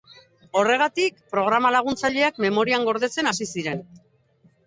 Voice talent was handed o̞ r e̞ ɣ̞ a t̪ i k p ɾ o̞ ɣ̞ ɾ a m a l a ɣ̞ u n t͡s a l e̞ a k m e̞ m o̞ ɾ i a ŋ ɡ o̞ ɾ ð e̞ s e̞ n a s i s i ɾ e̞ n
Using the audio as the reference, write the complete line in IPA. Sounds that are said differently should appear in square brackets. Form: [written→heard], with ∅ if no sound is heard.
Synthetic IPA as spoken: o̞ r e̞ ɣ̞ a t̪ i k p ɾ o̞ ɣ̞ ɾ a m a l a ɣ̞ u n t͡s a [l→ʎ] e̞ a k m e̞ m o̞ ɾ i a ŋ ɡ o̞ ɾ ð e̞ [s→t͡s] e̞ n a s i s i ɾ e̞ n